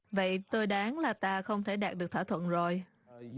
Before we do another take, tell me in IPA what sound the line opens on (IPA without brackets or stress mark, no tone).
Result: v